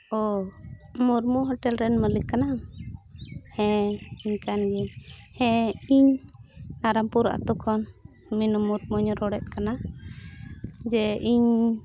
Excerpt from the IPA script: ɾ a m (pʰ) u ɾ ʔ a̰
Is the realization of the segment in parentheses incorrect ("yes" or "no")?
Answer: yes